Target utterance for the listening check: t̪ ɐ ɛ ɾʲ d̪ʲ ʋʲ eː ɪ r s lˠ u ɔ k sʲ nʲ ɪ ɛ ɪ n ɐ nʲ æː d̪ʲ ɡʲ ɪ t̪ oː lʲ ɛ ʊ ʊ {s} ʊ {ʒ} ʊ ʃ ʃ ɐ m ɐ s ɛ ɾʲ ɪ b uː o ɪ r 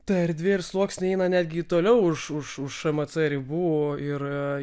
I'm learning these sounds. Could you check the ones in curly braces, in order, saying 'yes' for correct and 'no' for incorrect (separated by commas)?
no, no